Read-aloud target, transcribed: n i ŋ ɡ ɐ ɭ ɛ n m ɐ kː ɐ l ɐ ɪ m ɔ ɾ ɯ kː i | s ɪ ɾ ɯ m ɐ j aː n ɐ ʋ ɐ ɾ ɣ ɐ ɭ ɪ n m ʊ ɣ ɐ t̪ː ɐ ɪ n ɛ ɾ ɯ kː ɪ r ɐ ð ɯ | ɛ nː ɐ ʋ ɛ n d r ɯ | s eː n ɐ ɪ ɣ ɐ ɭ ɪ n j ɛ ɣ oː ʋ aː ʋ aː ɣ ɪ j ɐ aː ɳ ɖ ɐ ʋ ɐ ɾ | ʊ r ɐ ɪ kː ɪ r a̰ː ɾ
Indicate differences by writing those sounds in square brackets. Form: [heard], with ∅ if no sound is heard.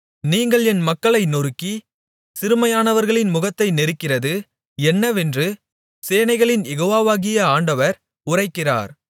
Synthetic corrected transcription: n [iː] ŋ ɡ ɐ ɭ ɛ n m ɐ kː ɐ [ɭ] ɐ ɪ [n] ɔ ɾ ɯ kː i | s ɪ ɾ ɯ m ɐ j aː n ɐ ʋ ɐ ɾ ɣ ɐ ɭ ɪ n m ʊ ɣ ɐ t̪ː ɐ ɪ n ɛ ɾ ɯ kː ɪ r ɐ ð ɯ | ɛ nː ɐ ʋ ɛ n d r ɯ | s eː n ɐ ɪ ɣ ɐ ɭ ɪ n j ɛ ɣ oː ʋ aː ʋ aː ɣ ɪ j ɐ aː ɳ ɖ ɐ ʋ ɐ ɾ | ʊ r ɐ ɪ kː ɪ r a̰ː ɾ

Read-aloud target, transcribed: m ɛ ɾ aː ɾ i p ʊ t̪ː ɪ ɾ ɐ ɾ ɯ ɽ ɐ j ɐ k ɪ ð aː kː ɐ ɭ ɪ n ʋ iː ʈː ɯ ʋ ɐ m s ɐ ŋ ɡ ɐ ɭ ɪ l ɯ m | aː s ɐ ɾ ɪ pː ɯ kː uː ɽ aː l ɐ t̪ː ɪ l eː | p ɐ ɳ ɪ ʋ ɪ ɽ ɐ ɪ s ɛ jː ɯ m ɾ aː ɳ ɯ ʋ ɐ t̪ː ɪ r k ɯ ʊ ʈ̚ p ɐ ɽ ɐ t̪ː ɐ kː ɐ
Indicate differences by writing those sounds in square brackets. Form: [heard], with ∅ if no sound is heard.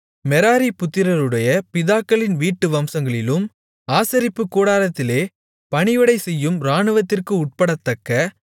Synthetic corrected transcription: m ɛ ɾ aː ɾ i p ʊ t̪ː ɪ ɾ ɐ ɾ ɯ ɽ ɐ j ɐ [p] ɪ ð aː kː ɐ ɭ ɪ n ʋ iː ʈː ɯ ʋ ɐ m s ɐ ŋ ɡ ɐ ɭ ɪ l ɯ m | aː s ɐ ɾ ɪ pː ɯ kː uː ɽ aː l ɐ t̪ː ɪ l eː | p ɐ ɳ ɪ ʋ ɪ ɽ ɐ ɪ s ɛ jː ɯ m ɾ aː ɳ ɯ ʋ ɐ t̪ː ɪ r k ɯ ʊ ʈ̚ p ɐ ɽ ɐ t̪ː ɐ kː ɐ

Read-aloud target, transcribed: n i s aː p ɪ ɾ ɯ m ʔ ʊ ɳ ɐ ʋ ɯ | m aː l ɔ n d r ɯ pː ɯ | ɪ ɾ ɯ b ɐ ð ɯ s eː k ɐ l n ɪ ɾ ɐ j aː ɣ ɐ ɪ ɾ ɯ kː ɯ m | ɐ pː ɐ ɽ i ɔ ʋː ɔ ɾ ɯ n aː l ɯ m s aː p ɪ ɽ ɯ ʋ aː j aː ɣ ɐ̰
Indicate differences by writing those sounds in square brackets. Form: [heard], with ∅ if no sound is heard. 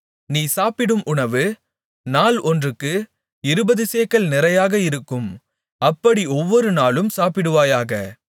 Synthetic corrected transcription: n [iː] s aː p ɪ [ɽ] ɯ m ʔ ʊ ɳ ɐ ʋ ɯ | [n] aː l ɔ n d r ɯ [kː] ɯ | ɪ ɾ ɯ b ɐ ð ɯ s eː k ɐ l n ɪ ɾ ɐ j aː ɣ ɐ ɪ ɾ ɯ kː ɯ m | ɐ pː ɐ ɽ i ɔ ʋː ɔ ɾ ɯ n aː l ɯ m s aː p ɪ ɽ ɯ ʋ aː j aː ɣ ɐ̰

